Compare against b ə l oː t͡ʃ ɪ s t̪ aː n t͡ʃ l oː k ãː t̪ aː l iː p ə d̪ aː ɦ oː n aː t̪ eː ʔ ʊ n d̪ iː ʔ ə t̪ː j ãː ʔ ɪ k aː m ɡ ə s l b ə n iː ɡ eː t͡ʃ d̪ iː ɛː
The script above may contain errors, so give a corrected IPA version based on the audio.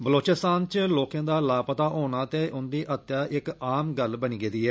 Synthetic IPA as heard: b ə l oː t͡ʃ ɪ s t̪ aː n t͡ʃ l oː k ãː d̪ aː l aː p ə t̪ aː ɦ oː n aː t̪ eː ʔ ʊ n d̪ iː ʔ ə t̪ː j aː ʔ ɪ k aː m ɡ ə l b ə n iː ɡ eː d̪ iː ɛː